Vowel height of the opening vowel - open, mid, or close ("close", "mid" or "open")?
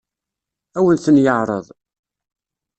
open